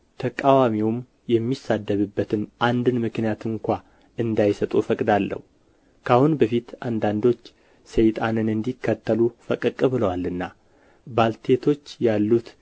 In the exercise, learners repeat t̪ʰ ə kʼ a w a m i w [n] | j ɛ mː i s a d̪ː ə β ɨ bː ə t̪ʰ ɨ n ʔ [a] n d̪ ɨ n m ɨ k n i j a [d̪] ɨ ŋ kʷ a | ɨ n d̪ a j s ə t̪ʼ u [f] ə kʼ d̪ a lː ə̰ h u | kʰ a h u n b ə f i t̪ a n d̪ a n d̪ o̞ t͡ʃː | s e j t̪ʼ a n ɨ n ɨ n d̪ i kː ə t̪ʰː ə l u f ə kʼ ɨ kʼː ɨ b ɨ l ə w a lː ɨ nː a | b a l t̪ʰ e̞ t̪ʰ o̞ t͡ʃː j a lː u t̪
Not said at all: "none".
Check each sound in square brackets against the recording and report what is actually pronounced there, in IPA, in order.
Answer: m, a, t̪, f

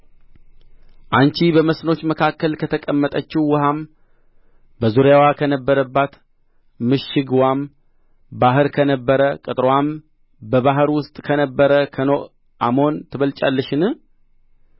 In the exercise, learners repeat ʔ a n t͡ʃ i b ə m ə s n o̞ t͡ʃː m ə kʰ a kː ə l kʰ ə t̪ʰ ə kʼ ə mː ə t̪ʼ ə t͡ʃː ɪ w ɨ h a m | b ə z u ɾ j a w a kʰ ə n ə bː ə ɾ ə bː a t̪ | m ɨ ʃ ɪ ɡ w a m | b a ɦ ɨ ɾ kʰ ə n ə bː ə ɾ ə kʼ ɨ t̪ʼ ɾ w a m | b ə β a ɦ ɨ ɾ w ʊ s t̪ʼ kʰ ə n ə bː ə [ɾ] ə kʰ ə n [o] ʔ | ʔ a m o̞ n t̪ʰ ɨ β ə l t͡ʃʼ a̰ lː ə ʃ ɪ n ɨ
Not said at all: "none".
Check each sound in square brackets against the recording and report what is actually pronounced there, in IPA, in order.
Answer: ɾ, o

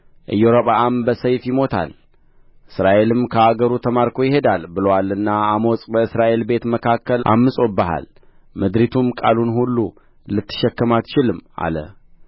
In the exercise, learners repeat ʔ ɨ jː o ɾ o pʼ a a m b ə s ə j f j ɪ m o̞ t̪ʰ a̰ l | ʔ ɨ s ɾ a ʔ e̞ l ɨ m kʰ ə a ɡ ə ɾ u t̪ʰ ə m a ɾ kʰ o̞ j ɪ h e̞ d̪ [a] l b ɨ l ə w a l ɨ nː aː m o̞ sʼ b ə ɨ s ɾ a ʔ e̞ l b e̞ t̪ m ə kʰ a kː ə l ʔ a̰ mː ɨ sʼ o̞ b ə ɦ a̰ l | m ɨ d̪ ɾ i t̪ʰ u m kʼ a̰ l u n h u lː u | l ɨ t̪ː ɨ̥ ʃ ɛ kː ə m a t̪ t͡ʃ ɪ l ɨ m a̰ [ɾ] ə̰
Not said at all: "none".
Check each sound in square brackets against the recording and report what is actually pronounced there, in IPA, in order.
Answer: a, l

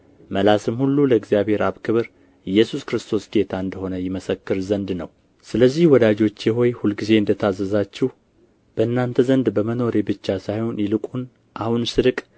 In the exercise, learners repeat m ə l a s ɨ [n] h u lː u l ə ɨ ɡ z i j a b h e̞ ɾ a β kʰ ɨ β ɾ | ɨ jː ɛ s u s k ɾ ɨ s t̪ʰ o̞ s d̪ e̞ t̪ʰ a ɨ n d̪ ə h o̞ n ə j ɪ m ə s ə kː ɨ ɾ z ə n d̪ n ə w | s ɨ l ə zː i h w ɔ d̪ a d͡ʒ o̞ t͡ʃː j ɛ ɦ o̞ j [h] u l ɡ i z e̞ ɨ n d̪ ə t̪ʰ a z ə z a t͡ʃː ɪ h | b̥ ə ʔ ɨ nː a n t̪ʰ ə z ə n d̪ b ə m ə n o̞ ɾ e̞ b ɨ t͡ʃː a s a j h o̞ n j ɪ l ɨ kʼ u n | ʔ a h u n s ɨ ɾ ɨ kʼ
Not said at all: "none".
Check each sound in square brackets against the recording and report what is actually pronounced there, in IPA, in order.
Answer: m, h

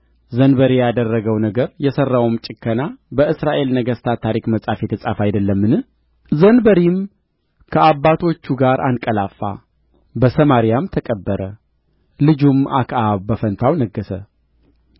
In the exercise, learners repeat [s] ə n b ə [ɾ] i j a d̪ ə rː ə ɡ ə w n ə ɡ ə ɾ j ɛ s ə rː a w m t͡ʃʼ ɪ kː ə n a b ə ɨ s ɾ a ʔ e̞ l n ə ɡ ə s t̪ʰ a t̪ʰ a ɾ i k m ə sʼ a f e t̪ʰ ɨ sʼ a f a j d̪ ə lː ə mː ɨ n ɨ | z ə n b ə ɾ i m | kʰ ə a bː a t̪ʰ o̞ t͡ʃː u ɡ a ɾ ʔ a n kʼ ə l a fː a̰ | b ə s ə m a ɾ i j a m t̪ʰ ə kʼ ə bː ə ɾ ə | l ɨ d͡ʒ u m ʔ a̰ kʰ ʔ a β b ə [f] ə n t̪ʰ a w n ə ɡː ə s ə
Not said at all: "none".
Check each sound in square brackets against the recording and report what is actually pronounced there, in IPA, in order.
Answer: z, ɾ, f

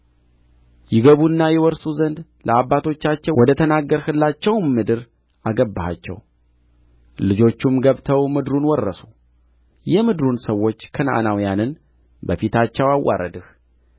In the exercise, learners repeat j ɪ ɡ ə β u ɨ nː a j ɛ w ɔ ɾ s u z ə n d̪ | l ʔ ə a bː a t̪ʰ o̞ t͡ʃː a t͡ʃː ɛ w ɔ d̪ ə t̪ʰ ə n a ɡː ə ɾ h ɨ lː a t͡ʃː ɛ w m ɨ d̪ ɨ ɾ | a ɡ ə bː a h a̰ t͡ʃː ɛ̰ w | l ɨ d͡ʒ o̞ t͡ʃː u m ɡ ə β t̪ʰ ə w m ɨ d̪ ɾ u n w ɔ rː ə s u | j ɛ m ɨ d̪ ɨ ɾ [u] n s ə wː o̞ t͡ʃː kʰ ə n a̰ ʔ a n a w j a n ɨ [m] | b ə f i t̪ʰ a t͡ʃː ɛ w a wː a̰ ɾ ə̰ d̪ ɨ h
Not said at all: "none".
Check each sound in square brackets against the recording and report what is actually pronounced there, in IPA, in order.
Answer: u, n

